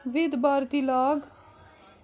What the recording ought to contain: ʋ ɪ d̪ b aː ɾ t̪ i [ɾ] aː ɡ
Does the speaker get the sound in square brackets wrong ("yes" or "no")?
yes